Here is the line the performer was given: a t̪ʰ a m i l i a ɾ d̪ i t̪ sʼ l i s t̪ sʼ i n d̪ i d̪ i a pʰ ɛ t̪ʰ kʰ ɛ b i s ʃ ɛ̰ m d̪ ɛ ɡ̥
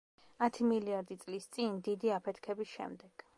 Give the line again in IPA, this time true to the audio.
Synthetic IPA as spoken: a t̪ʰ i m i l i a ɾ d̪ i t̪ sʼ l i s t̪ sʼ i n d̪ i d̪ i a pʰ ɛ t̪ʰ kʰ ɛ b i s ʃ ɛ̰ m d̪ ɛ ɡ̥